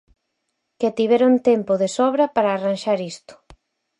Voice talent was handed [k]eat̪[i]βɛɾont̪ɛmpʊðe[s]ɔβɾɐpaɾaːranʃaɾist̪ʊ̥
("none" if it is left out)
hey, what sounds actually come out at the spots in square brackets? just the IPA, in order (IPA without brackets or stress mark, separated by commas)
k, i, s